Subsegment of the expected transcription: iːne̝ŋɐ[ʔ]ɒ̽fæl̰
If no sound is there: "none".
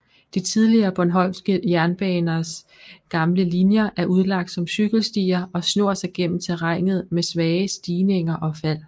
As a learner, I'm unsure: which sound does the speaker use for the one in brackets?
ʔ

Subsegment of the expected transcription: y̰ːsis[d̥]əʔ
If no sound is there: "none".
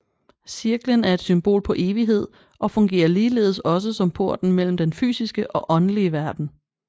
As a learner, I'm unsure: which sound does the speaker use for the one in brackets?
ɡ̥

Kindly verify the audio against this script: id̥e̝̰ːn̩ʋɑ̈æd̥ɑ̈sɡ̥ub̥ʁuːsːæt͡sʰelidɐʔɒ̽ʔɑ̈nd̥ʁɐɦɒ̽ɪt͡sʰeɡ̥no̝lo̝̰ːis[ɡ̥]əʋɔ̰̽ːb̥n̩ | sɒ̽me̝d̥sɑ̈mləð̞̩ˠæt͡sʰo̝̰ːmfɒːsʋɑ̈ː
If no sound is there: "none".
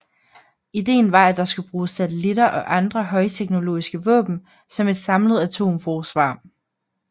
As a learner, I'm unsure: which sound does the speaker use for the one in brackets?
ɡ̥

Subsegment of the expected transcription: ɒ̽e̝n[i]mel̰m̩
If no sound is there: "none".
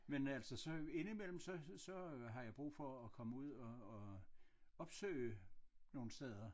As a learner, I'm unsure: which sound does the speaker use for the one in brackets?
i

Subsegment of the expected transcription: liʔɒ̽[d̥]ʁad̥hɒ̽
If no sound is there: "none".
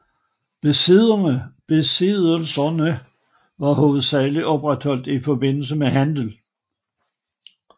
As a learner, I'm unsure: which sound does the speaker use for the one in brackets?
b̥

